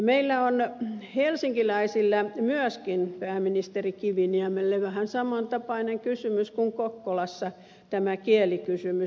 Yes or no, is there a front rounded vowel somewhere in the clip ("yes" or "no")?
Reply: yes